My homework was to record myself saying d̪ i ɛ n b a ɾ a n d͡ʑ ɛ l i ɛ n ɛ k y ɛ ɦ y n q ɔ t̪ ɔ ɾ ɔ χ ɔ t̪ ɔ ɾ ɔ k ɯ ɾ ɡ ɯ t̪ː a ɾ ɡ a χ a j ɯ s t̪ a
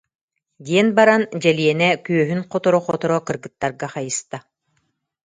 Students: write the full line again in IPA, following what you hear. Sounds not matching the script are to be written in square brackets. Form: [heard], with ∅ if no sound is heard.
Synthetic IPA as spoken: d̪ i ɛ n b a ɾ a n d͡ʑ ɛ l i ɛ n ɛ k y [œ] ɦ y n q ɔ t̪ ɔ ɾ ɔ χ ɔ t̪ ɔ ɾ ɔ k ɯ ɾ ɡ ɯ t̪ː a ɾ ɡ a χ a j ɯ s t̪ a